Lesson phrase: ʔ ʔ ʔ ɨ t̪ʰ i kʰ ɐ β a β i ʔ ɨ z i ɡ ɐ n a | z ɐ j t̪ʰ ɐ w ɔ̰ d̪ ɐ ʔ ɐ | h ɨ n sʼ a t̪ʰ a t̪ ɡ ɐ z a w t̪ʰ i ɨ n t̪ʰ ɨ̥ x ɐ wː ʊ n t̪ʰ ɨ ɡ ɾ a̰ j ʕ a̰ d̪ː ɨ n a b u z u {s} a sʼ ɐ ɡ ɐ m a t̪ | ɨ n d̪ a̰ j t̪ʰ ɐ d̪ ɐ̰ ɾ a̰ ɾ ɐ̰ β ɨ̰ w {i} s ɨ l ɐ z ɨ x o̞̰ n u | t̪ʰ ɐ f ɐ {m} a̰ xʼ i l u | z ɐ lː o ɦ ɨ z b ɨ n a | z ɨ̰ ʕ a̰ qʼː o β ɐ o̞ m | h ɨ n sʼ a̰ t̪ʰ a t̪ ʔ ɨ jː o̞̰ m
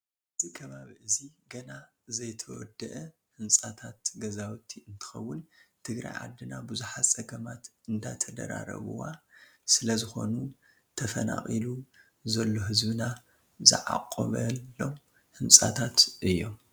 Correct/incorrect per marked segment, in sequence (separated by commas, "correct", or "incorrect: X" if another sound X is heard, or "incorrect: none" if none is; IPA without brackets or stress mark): incorrect: ħ, incorrect: a, incorrect: n